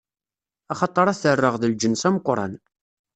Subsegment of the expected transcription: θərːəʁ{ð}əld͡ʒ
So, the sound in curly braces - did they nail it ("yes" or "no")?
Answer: yes